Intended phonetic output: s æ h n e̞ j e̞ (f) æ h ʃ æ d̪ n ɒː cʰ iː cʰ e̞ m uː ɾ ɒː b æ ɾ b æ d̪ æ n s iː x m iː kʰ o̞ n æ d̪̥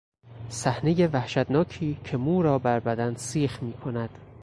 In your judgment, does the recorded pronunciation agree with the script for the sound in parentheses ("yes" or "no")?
no